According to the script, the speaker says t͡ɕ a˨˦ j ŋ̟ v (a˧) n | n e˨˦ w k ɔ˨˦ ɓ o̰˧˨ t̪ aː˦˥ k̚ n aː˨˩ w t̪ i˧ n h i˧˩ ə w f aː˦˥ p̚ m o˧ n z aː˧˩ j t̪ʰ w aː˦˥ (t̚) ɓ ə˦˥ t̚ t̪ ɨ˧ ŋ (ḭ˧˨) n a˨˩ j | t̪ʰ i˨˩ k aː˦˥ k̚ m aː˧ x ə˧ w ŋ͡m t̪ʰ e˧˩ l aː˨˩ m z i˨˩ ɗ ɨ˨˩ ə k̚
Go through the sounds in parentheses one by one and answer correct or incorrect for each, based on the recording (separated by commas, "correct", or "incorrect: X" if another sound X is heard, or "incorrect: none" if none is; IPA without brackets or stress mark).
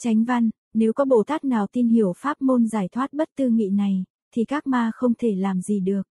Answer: correct, correct, correct